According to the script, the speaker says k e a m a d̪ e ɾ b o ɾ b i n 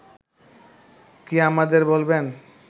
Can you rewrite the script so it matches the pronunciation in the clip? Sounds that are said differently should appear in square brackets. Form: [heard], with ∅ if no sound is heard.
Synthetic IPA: k [i] a m a d̪ e ɾ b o [l] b [e] n